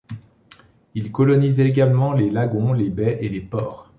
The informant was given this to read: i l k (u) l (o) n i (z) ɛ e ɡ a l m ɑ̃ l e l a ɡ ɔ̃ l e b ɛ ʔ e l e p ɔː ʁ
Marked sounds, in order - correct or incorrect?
incorrect: ɔ, incorrect: ɔ, correct

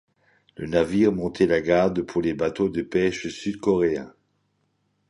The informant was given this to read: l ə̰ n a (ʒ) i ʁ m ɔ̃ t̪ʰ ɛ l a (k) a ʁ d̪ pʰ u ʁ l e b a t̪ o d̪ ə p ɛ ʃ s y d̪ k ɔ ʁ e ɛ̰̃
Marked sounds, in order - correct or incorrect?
incorrect: v, incorrect: ɡ

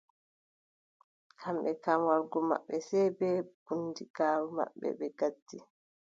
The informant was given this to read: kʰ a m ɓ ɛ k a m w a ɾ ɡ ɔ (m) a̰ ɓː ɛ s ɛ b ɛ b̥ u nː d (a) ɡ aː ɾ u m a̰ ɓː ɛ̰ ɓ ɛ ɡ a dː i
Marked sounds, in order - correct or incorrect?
correct, incorrect: i

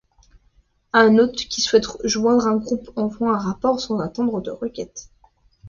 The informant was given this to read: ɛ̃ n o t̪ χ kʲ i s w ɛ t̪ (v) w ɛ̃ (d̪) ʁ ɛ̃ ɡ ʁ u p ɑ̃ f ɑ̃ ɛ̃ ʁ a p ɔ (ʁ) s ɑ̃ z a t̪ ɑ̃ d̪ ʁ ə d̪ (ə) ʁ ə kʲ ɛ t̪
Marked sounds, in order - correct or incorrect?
incorrect: ʒ, correct, correct, correct

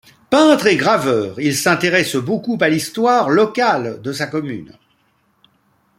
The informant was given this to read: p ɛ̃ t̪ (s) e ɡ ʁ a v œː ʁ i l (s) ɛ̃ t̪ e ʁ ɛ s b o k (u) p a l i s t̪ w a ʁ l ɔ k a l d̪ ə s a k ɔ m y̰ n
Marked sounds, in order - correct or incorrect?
incorrect: χ, correct, correct

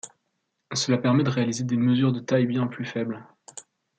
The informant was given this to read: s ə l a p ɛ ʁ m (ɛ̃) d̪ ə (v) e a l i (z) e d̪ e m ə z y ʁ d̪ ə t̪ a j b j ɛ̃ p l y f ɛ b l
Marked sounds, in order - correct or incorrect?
incorrect: ɛ, incorrect: ʁ, correct

